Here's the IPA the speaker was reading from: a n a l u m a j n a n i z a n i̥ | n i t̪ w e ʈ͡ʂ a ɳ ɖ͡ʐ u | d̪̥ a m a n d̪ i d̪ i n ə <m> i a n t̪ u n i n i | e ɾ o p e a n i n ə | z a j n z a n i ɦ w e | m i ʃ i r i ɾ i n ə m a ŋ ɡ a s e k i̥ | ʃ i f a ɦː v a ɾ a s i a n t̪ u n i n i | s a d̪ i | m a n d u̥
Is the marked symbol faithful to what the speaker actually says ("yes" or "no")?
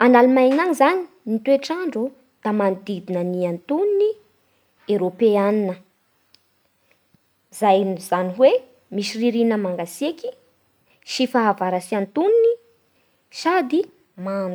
no